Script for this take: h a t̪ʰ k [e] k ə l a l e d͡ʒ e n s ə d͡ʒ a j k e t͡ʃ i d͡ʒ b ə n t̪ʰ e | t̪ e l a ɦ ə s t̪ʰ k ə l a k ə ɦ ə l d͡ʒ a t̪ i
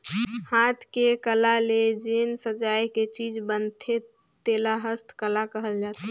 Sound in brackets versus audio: correct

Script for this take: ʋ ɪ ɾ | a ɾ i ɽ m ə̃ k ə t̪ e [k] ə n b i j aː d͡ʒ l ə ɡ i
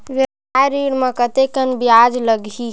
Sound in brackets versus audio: correct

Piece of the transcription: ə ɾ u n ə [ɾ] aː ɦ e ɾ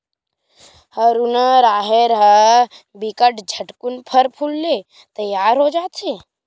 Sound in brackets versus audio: correct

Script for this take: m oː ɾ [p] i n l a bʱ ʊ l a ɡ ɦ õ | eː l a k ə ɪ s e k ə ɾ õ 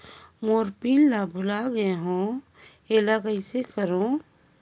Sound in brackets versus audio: correct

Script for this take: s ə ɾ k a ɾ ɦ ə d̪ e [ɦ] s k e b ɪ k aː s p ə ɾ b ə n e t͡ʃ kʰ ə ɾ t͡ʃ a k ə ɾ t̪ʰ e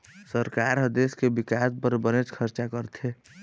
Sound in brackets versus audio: incorrect: none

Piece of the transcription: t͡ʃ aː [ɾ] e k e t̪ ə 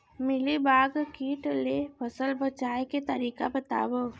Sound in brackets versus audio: incorrect: none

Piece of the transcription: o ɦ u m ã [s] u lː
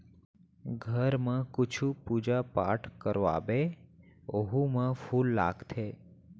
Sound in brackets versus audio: incorrect: f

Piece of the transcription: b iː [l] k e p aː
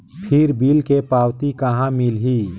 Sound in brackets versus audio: correct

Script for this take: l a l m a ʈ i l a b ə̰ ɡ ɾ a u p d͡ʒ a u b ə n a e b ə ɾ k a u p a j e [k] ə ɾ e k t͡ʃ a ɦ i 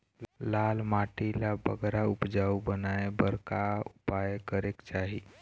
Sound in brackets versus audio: correct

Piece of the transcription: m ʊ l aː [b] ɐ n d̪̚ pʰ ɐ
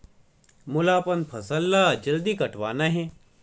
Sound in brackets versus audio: incorrect: p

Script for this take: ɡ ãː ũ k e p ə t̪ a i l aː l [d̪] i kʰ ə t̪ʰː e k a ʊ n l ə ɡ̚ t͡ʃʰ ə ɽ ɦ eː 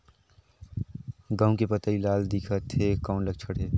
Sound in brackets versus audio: correct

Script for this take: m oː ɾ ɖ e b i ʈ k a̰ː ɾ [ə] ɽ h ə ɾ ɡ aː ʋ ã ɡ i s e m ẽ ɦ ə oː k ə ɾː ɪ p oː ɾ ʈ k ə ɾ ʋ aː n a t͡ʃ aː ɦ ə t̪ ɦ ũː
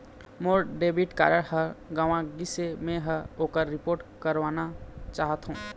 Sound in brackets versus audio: correct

